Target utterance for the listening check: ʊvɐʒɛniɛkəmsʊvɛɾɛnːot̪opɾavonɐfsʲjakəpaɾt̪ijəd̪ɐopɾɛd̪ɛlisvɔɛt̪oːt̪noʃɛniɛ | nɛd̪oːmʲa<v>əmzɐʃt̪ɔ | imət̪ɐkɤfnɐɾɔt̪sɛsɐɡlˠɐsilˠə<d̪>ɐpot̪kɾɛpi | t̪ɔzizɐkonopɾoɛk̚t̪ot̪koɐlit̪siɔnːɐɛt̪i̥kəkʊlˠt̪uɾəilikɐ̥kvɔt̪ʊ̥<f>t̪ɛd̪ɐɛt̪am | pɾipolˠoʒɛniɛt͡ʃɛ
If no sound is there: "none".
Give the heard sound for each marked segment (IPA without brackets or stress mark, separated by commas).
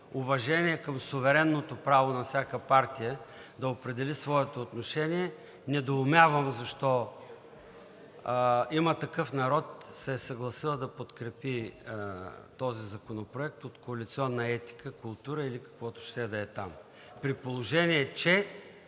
v, d̪, ʃ